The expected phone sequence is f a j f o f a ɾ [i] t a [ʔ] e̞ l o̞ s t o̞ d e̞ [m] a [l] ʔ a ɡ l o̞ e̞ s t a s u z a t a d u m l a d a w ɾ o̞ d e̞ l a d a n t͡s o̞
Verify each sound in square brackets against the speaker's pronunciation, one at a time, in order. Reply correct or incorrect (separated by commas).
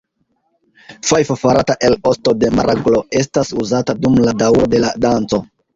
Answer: incorrect, correct, correct, incorrect